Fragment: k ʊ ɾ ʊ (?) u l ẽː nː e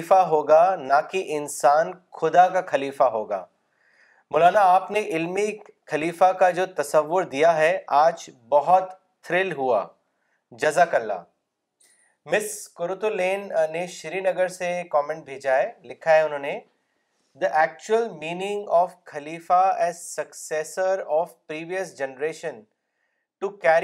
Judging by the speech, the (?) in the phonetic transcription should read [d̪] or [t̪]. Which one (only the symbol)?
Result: t̪